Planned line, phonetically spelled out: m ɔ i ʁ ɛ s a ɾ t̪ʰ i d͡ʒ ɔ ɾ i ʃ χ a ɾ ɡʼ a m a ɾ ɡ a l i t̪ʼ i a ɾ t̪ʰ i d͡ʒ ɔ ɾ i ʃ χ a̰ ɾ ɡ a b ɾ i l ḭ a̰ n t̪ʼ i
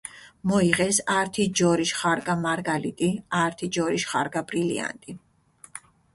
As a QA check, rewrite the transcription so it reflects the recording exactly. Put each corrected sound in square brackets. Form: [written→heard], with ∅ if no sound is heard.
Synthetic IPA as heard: m ɔ i ʁ ɛ s a ɾ t̪ʰ i d͡ʒ ɔ ɾ i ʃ χ a ɾ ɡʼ a m a ɾ ɡ a l i t̪ʼ i a ɾ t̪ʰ i d͡ʒ ɔ ɾ i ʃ χ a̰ ɾ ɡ a b ɾ i l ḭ a̰ n t̪ʼ i